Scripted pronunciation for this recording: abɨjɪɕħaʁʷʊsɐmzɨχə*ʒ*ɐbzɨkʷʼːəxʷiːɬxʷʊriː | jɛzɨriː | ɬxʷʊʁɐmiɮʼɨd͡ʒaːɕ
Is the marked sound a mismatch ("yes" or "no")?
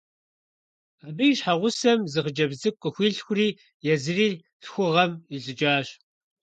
yes